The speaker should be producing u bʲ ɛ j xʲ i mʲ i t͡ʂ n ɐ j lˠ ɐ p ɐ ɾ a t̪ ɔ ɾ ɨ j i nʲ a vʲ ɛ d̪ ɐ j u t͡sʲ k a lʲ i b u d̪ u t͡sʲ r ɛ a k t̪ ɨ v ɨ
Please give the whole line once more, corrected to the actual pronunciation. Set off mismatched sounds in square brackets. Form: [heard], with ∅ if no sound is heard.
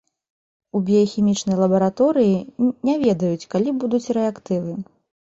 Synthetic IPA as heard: u bʲ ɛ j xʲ i mʲ i t͡ʂ n ɐ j lˠ ɐ [b] ɐ ɾ a t̪ ɔ ɾ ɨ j i nʲ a vʲ ɛ d̪ ɐ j u t͡sʲ k a lʲ i b u d̪ u t͡sʲ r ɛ a k t̪ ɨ v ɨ

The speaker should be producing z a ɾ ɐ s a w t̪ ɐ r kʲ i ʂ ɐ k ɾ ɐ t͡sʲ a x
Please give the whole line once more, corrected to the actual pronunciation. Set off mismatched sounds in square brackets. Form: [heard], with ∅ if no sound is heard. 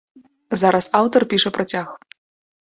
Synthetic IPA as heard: z a ɾ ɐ s a w t̪ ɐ r [pʲ] i ʂ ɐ [p] ɾ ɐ t͡sʲ a x

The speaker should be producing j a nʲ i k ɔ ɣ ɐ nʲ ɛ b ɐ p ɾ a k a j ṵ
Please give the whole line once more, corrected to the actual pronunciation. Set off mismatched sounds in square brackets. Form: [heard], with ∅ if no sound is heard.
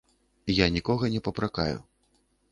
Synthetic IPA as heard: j a nʲ i k ɔ ɣ ɐ nʲ ɛ [p] ɐ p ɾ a k a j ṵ

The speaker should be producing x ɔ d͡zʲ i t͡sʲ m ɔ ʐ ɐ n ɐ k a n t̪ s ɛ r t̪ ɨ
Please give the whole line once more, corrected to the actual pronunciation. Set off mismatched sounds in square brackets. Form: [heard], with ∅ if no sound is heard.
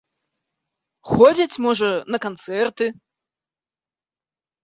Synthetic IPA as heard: x ɔ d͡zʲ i t͡sʲ m ɔ ʐ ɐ n ɐ k a n t̪ s ɛ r t̪ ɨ

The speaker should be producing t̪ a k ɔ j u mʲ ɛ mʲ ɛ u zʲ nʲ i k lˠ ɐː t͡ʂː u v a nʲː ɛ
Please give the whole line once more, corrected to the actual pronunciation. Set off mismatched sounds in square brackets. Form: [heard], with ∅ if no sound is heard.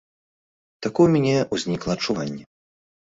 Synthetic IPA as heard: t̪ a k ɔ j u mʲ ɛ [nʲ] ɛ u zʲ nʲ i k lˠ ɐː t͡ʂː u v a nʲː ɛ

